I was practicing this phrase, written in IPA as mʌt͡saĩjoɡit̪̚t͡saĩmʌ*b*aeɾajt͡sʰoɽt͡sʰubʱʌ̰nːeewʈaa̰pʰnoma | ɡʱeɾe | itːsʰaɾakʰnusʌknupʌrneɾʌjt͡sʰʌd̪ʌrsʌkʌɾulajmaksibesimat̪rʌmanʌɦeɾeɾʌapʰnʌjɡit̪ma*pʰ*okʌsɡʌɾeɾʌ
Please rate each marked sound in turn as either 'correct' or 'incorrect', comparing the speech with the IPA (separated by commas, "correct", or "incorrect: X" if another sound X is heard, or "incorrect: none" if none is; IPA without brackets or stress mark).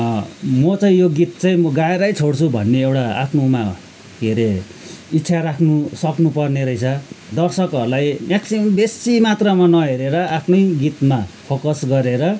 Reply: incorrect: ɡ, correct